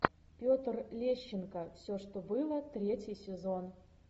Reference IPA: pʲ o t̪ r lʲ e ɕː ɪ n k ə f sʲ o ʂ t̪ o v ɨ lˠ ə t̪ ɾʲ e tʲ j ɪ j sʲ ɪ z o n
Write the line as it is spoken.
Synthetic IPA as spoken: pʲ o t̪ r lʲ e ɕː ɪ n k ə f sʲ o ʂ t̪ o b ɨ lˠ ə t̪ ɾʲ e tʲ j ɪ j sʲ ɪ z o n